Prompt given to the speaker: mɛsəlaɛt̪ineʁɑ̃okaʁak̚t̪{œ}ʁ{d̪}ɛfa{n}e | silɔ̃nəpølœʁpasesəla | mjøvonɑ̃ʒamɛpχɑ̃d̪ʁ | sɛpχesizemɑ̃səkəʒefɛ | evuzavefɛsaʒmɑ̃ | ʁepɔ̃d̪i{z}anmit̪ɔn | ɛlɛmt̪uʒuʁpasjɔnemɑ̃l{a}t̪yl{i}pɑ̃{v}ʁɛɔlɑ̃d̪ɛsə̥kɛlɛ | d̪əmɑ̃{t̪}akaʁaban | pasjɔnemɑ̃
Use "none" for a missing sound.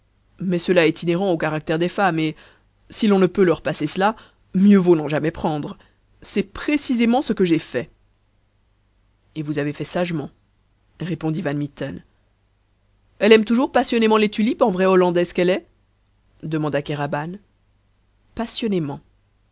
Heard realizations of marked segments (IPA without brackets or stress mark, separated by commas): ɛ, d̪, m, v, e, i, v, d̪